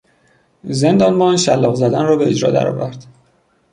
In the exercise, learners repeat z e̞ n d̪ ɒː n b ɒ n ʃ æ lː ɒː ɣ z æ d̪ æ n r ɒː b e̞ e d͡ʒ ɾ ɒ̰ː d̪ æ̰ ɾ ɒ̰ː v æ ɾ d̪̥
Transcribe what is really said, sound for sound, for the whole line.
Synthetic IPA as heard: z e̞ n d̪ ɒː n b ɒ n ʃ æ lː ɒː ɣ z æ d̪ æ n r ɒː b e̞ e d͡ʒ ɾ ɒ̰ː d̪ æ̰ ɾ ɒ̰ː v æ ɾ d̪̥